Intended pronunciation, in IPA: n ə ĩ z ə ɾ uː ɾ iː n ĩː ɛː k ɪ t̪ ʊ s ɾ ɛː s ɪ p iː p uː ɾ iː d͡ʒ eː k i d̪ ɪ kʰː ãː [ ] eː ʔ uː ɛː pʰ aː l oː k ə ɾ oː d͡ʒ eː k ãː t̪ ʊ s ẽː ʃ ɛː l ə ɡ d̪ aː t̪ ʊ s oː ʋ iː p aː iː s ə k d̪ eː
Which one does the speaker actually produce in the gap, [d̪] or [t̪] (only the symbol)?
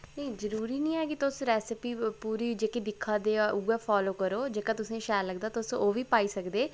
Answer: d̪